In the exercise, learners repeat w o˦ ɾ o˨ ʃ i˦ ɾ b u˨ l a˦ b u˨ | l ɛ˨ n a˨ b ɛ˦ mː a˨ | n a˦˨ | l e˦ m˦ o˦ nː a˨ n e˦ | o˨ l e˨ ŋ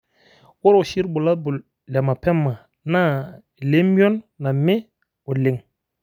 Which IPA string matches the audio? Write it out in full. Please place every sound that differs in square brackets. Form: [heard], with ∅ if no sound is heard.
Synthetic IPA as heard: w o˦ ɾ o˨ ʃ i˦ ɾ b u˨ l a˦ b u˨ | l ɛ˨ [m] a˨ [p] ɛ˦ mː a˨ | n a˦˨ | l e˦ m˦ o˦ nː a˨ [m] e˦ | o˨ l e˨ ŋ